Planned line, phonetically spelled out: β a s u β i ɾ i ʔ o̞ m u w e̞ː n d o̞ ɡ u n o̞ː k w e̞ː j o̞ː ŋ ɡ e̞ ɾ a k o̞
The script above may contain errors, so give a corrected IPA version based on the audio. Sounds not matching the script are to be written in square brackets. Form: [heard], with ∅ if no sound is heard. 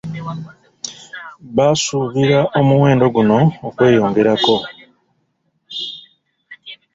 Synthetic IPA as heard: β a s u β i ɾ [a] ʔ o̞ m u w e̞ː n d o̞ ɡ u n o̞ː k w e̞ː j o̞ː ŋ ɡ e̞ ɾ a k o̞